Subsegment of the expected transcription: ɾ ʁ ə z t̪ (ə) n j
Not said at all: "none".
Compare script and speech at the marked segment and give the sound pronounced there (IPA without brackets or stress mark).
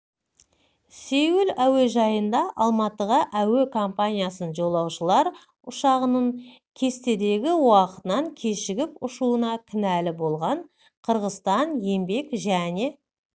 ɑ